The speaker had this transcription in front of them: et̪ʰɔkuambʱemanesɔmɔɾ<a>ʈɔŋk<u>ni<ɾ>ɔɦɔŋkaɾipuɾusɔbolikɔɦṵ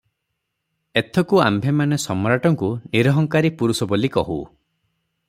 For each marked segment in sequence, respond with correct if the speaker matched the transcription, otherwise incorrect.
correct, correct, correct

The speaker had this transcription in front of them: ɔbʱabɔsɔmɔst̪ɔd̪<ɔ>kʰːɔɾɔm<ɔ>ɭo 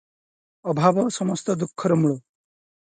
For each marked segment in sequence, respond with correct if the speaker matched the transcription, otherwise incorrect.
incorrect, incorrect

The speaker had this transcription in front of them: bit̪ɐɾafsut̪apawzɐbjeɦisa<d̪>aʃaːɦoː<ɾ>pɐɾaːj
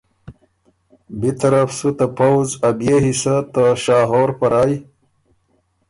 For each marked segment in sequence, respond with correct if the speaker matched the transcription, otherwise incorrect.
incorrect, correct

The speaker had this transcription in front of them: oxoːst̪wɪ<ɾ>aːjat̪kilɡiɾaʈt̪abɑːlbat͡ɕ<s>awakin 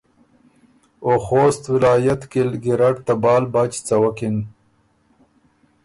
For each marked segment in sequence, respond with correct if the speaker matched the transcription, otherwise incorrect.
incorrect, incorrect

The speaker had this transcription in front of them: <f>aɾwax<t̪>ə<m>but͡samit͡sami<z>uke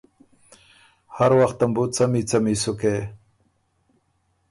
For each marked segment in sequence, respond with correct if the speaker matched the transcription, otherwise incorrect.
incorrect, correct, correct, incorrect

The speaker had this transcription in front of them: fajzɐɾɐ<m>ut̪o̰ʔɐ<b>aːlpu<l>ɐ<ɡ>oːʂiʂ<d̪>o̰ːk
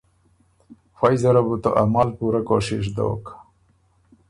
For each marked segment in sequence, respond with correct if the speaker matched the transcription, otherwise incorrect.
incorrect, incorrect, incorrect, incorrect, correct

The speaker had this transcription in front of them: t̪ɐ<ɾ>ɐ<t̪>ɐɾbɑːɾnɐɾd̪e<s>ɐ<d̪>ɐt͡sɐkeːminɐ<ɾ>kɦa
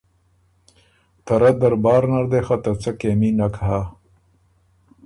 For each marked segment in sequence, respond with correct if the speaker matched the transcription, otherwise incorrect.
correct, incorrect, incorrect, incorrect, incorrect

